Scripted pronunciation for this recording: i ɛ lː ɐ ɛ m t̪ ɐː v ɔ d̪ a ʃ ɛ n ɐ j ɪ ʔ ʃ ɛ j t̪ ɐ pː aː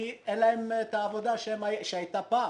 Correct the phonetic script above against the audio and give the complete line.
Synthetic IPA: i ɛ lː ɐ ɛ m t̪ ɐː v ɔ d̪ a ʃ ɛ m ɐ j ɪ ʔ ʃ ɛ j t̪ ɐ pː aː

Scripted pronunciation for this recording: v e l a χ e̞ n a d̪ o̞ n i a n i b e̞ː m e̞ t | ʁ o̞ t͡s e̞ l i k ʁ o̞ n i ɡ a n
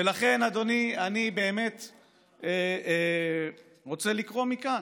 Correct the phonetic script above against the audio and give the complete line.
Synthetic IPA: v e l a χ e̞ n a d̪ o̞ n i a n i b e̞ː m e̞ t | ʁ o̞ t͡s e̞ l i k ʁ o̞ m i k a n

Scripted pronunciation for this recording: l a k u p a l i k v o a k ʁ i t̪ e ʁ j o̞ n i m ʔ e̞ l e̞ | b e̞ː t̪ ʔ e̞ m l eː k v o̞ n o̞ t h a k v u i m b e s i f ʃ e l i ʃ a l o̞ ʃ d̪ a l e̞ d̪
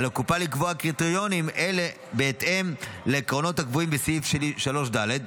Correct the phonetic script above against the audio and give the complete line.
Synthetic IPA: l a k u p a l i k v o a k ʁ i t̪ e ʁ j o̞ n i m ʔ e̞ l e̞ | b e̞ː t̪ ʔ e̞ m l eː k ʁ o̞ n o̞ t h a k v u i m b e s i f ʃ e l i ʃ a l o̞ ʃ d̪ a l e̞ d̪

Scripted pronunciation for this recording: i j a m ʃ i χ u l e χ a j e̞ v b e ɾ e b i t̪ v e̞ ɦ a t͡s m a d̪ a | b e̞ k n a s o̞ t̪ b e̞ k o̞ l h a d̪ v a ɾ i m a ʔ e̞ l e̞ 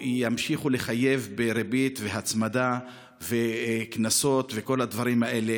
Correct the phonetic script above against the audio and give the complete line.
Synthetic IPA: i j a m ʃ i χ u l e χ a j e̞ v b e ɾ e b i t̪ v e̞ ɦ a t͡s m a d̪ a | v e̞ k n a s o̞ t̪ v e̞ k o̞ l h a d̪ v a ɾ i m a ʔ e̞ l e̞

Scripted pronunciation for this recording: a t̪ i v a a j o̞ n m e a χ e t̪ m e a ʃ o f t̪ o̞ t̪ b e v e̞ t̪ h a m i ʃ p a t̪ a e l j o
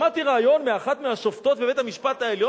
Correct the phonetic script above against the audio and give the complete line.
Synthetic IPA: a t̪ i ʁ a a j o̞ n m e a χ a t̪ m e a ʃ o f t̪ o̞ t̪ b e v e̞ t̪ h a m i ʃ p a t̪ a e l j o

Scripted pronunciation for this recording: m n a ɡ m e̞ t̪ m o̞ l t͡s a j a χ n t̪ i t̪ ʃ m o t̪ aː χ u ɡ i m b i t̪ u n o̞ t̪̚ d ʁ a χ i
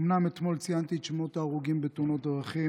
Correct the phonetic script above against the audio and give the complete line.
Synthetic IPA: m n a m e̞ t̪ m o̞ l t͡s i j a n t̪ i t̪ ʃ m o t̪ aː ʁ u ɡ i m b e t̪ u n o̞ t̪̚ d ʁ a χ i

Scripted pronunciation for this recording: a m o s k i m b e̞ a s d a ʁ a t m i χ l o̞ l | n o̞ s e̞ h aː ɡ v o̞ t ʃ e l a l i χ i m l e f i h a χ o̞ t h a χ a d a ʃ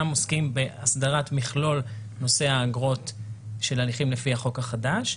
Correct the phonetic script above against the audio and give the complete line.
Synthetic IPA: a m o s k i m b e̞ a s d a ʁ a t m i χ l o̞ l | n o̞ s e̞ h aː ɡ ʁ o̞ t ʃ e l a l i χ i m l e f i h a χ o̞ k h a χ a d a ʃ

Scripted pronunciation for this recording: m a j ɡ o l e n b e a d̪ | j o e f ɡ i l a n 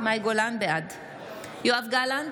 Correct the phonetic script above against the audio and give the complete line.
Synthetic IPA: m a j ɡ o l a n b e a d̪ | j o a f ɡ a l a n

